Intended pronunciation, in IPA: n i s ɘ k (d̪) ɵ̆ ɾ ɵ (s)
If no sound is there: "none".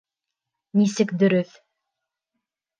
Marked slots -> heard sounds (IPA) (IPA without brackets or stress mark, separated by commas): d̪, θ